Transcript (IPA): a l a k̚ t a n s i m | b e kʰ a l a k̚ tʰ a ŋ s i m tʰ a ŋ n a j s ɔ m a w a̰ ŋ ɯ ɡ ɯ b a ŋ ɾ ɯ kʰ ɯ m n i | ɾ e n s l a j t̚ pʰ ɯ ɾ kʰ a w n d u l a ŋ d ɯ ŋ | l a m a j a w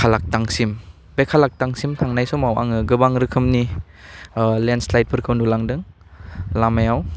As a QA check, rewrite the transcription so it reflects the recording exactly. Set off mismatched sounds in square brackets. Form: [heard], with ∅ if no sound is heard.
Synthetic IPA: a l a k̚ t a [ŋ] s i m | b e kʰ a l a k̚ [t] a ŋ s i m tʰ a ŋ n a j s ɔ m a w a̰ ŋ ɯ ɡ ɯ b a ŋ ɾ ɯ kʰ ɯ m n i | [l] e n s l a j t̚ pʰ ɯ ɾ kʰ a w n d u l a ŋ d ɯ ŋ | l a m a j a w